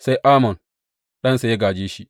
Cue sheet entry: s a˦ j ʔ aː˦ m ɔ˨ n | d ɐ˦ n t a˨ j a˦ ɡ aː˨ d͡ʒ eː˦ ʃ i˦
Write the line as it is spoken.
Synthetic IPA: s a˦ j ʔ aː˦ m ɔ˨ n | ɗ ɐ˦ n s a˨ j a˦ ɡ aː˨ d͡ʒ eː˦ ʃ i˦

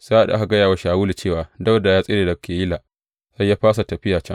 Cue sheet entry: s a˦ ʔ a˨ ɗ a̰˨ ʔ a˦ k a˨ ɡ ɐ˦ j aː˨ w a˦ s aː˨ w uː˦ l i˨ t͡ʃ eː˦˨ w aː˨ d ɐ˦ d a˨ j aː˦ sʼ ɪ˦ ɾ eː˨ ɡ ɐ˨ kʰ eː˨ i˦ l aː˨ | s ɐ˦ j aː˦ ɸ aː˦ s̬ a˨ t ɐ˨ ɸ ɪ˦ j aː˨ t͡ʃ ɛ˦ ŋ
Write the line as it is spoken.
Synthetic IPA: s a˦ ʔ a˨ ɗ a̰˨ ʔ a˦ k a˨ ɡ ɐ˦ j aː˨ w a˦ ʃ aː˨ w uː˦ l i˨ t͡ʃ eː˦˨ w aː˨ d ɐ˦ d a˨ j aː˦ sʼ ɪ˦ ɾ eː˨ d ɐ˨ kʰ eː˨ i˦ l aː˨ | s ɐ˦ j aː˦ ɸ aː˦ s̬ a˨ t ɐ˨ ɸ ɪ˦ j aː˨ t͡ʃ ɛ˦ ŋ

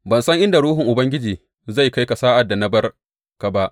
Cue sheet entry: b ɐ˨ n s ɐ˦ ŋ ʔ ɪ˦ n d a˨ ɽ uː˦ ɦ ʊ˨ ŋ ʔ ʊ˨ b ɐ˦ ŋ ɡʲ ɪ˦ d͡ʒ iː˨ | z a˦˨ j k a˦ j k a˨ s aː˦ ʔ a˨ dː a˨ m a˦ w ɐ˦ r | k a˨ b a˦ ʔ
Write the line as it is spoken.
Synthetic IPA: b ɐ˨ n s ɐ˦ ŋ ʔ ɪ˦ n d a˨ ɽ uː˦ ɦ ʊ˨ ŋ ʔ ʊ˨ b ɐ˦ ŋ ɡʲ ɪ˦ d͡ʒ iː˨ | z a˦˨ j k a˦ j k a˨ s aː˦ ʔ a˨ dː a˨ n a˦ b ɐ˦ r | k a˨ b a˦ ʔ

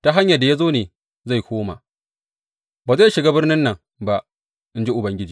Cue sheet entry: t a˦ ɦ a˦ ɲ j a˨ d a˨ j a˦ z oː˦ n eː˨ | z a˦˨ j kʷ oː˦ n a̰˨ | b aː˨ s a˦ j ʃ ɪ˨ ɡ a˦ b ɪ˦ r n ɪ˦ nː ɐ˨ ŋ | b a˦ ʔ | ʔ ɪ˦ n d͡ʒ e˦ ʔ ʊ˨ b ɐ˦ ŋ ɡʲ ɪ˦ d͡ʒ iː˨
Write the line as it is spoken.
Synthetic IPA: t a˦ ɦ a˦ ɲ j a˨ d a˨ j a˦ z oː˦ n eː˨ | z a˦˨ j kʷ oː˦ m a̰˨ | b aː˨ z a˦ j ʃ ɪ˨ ɡ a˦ b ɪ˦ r n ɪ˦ nː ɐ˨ ŋ | b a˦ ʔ | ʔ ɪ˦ n d͡ʒ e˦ ʔ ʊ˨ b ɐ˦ ŋ ɡʲ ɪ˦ d͡ʒ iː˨

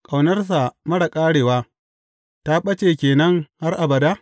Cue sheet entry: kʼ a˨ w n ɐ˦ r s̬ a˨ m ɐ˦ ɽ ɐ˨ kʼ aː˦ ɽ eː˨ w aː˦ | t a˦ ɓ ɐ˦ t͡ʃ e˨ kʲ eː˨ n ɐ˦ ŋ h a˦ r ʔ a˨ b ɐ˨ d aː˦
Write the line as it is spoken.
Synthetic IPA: kʼ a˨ w n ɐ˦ r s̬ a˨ m ɐ˦ ɽ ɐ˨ kʼ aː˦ ɽ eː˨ w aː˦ | t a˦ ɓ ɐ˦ t͡ʃ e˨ kʲ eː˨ n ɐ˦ ŋ h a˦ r ʔ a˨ b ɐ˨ d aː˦

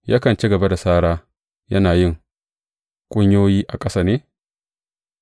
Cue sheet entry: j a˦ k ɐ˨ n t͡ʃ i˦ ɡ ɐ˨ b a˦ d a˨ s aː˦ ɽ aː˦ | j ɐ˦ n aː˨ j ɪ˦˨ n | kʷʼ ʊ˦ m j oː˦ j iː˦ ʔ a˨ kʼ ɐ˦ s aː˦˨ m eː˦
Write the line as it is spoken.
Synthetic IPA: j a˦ k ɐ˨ n t͡ʃ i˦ ɡ ɐ˨ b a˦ d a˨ s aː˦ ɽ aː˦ | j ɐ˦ n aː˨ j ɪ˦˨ ŋ | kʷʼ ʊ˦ ɲ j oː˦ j iː˦ ʔ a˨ kʼ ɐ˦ s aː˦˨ n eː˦

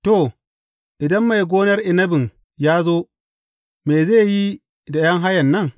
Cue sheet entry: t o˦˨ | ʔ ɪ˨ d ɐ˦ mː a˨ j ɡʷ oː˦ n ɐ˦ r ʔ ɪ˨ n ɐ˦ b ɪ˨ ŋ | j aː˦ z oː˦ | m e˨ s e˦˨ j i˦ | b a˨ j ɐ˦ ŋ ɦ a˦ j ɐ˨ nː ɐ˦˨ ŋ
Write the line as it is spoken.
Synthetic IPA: t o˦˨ | ʔ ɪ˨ d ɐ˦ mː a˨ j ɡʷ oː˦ n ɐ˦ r ʔ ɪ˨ n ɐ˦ b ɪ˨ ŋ | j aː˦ z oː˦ | m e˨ z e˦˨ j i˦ | d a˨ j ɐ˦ ŋ ɦ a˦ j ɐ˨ nː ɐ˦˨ ŋ

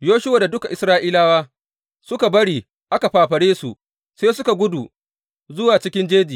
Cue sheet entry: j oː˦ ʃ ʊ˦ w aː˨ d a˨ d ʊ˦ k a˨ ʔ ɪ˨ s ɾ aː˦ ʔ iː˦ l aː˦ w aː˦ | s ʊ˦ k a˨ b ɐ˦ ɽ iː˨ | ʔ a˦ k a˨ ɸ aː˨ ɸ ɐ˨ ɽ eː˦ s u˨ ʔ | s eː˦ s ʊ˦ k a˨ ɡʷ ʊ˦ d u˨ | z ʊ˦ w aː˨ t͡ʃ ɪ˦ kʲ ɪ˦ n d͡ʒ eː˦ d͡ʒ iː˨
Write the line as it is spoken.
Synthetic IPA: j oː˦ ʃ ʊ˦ w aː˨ d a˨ d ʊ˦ k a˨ ʔ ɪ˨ s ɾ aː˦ ʔ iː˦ l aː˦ w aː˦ | s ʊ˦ k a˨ b ɐ˦ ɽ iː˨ | ʔ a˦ k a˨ ɸ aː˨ ɸ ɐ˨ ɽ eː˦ s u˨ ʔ | s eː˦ s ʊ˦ k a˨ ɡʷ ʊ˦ d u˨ | z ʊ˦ w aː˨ t͡ʃ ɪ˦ kʲ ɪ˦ n d͡ʒ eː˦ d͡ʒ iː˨

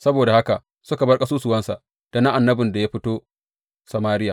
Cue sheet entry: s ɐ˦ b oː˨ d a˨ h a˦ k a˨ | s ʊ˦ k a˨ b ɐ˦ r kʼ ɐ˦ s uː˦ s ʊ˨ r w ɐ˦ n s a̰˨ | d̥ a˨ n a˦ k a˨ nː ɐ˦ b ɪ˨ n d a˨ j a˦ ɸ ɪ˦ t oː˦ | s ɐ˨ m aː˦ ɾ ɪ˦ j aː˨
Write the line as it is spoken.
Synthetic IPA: s ɐ˦ b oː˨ d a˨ h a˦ k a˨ | s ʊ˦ k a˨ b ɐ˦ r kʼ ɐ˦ s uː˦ s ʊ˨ w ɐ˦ n s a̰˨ | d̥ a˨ n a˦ ʔ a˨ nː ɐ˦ b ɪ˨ n d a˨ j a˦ ɸ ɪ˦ t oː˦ | s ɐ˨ m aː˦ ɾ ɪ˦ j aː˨

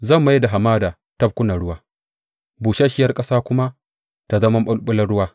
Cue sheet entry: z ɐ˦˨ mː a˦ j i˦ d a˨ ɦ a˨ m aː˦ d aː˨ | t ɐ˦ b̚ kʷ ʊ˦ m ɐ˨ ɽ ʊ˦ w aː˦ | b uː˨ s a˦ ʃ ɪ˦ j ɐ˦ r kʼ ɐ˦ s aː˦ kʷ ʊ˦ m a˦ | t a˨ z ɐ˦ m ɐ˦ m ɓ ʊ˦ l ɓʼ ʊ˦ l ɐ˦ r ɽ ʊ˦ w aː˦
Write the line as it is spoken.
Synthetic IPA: z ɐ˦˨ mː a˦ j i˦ d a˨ ɦ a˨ m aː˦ d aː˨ | t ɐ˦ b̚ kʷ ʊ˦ n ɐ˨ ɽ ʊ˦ w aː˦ | b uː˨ ʃ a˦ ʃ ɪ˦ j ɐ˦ r kʼ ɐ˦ s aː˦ kʷ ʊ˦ m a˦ | t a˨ z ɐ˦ m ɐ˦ m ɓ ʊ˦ l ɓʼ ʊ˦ l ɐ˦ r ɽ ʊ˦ w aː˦

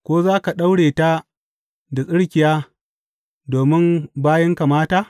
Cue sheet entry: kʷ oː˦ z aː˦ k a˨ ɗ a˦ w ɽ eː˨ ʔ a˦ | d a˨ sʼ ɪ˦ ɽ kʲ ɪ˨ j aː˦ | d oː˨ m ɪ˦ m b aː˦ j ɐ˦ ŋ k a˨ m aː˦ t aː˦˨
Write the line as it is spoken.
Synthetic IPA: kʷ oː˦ z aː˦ k a˨ ɗ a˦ w ɽ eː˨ t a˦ | d a˨ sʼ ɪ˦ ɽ kʲ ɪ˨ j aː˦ | d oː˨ m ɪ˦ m b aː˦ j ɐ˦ ŋ k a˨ m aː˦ t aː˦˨

